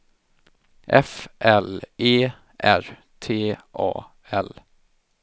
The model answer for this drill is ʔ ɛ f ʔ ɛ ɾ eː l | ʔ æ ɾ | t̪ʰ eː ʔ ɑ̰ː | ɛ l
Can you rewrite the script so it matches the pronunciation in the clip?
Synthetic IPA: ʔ ɛ f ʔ ɛ l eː | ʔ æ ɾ | t̪ʰ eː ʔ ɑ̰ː | ɛ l